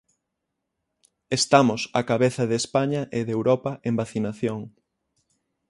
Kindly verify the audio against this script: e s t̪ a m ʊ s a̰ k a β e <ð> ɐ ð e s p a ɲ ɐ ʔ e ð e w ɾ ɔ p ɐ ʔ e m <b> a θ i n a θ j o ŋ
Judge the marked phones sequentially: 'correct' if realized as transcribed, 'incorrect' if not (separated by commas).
incorrect, correct